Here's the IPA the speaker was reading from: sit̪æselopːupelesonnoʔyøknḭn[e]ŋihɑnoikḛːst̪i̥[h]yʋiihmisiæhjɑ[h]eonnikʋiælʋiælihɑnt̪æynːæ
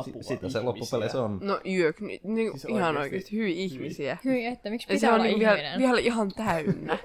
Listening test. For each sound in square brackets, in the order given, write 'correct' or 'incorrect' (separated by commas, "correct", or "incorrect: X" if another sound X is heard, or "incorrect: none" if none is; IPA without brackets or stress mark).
incorrect: i, correct, incorrect: s